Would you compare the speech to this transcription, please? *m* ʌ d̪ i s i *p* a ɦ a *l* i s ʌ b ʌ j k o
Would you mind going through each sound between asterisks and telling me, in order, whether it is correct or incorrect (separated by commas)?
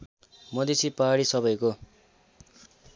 correct, correct, incorrect